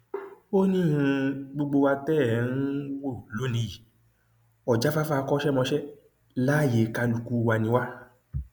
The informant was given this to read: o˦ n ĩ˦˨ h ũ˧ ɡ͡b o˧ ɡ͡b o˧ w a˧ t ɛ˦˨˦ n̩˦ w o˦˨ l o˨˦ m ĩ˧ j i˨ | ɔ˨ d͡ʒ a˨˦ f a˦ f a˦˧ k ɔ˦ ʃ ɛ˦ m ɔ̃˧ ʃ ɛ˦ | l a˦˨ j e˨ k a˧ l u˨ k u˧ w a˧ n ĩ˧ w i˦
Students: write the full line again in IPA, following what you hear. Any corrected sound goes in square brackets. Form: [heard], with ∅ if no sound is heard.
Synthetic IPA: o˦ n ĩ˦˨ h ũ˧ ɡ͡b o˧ ɡ͡b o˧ w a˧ t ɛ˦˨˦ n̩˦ w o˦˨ l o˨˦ [n] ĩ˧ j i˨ | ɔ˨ d͡ʒ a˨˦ f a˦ f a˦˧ k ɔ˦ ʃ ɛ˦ m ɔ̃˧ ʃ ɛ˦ | l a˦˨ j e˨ k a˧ l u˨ k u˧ w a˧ n ĩ˧ w [a˦]